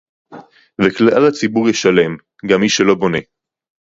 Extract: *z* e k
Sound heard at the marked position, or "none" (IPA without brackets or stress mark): v